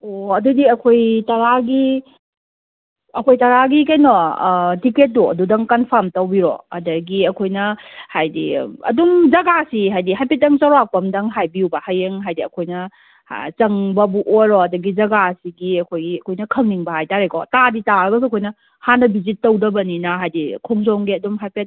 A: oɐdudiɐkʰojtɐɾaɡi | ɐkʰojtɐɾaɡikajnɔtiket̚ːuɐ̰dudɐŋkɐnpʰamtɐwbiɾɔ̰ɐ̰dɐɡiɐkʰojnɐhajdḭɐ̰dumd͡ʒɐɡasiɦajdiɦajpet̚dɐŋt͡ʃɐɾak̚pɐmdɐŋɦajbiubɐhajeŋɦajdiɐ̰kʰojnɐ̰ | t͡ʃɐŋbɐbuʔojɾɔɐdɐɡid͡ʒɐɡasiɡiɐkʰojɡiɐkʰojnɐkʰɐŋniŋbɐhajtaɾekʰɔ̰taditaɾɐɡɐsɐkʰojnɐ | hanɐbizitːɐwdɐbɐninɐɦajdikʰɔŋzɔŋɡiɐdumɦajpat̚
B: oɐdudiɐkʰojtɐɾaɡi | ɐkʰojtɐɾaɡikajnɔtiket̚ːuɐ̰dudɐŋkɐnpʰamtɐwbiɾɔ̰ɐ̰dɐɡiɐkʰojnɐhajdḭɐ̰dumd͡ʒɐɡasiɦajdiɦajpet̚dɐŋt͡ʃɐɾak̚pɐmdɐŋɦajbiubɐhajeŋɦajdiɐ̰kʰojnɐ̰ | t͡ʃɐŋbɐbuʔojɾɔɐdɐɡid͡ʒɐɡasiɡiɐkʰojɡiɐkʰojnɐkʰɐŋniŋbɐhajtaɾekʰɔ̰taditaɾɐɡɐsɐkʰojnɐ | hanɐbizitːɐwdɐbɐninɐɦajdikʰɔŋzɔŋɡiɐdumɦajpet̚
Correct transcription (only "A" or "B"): B